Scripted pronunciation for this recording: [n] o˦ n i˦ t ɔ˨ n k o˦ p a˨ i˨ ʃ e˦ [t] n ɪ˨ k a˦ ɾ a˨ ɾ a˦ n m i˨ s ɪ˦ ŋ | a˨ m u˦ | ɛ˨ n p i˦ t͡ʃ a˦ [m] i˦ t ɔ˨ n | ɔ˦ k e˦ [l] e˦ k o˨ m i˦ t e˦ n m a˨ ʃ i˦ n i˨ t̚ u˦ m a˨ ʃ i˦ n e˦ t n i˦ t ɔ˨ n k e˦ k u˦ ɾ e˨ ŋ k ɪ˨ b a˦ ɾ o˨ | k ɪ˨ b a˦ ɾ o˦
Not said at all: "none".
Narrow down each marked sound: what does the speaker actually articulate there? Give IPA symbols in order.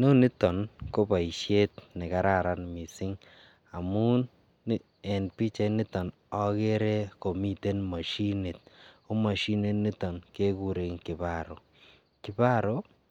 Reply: n, t, n, ɾ

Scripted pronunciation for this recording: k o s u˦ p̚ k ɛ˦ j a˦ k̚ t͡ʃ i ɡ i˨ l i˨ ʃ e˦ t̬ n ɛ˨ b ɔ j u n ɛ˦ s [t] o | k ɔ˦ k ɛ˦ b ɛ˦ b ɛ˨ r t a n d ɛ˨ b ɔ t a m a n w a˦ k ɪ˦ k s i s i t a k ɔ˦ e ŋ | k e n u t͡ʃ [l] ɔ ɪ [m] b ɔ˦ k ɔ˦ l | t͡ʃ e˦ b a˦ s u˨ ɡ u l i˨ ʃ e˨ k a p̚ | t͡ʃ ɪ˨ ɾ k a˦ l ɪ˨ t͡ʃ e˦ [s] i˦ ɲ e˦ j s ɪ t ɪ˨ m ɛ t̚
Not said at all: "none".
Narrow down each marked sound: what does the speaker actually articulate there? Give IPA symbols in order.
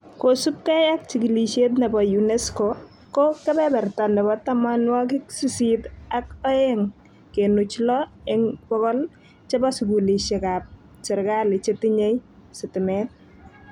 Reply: k, l, ŋ, t

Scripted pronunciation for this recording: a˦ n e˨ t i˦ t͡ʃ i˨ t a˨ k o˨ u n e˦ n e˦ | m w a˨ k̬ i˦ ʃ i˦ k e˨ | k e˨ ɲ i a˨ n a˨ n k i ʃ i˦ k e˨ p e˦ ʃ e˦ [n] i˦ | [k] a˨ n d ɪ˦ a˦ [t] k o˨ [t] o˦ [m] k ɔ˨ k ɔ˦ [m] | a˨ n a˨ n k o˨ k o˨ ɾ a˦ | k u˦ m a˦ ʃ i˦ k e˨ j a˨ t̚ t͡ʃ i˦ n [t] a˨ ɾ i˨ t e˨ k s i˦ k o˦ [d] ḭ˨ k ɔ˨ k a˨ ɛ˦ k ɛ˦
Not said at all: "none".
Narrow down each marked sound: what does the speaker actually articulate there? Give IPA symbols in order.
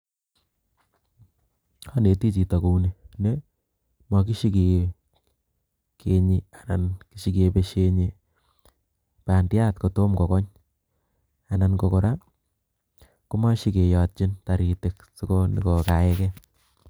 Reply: ɲ, p, t, t, m, ɲ, t, n

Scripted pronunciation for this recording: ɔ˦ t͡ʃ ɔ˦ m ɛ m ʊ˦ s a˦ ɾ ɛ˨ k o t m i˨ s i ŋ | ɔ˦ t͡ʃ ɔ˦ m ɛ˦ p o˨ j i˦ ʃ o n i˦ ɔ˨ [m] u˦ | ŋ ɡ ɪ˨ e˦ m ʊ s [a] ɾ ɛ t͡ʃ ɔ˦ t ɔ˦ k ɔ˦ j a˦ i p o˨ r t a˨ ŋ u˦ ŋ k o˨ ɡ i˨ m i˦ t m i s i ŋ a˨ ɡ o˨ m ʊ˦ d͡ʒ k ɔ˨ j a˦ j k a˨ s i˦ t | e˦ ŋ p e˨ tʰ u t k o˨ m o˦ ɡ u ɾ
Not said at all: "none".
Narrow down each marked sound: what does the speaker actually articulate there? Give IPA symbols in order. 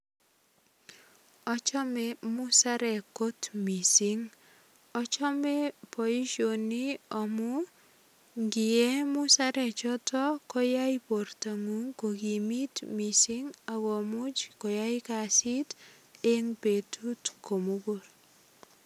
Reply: m, a

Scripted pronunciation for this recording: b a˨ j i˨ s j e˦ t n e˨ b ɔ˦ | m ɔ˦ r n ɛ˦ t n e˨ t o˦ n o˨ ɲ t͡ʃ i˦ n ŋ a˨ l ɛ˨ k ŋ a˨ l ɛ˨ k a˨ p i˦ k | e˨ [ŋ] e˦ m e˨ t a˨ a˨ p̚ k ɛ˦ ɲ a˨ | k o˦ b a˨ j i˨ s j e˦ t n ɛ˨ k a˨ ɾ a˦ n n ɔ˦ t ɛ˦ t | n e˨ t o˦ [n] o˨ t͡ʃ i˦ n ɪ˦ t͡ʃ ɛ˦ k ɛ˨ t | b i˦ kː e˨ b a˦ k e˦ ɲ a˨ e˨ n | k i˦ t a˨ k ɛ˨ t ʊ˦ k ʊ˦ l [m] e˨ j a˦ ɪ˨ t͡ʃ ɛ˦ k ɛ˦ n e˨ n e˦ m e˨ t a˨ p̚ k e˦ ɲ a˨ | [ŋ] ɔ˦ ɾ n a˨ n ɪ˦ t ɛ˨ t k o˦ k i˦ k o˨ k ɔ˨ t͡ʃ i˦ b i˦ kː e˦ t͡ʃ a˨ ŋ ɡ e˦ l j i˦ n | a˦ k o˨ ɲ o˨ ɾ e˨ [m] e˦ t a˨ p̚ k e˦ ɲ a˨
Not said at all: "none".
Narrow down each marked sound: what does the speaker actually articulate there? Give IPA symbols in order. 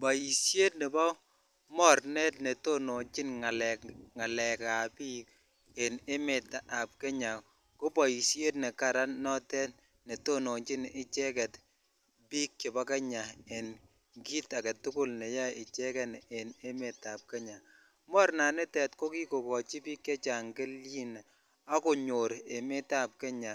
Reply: n, n, n, m, m

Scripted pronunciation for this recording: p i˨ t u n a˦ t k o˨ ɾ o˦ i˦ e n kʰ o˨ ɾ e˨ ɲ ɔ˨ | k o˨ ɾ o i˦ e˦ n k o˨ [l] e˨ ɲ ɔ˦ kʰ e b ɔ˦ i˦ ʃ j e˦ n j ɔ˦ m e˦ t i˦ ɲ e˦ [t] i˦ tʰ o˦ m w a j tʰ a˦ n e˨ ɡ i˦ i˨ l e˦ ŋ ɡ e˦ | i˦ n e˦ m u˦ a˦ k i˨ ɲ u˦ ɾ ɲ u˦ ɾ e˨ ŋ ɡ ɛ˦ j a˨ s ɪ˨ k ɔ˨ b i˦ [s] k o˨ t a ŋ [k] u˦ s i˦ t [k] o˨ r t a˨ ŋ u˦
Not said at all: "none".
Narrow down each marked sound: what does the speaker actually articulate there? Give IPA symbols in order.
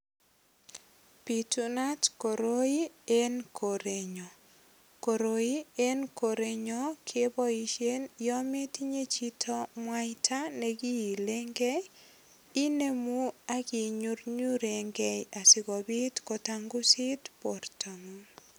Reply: ɾ, t͡ʃ, t, ɡ, p

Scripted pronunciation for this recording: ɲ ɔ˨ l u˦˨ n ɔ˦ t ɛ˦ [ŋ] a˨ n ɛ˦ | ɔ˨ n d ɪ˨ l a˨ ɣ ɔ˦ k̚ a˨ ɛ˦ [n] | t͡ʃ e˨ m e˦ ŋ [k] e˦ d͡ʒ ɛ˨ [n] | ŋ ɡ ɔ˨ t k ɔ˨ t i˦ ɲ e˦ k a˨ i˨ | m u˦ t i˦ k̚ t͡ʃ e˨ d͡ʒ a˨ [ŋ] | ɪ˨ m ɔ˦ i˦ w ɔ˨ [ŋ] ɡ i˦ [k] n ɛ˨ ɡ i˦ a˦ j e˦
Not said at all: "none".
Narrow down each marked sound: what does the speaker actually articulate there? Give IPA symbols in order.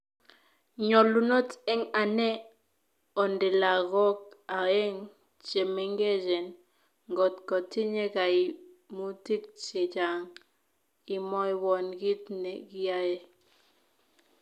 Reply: ŋ, ŋ, ɡ, n, ŋ, n, t

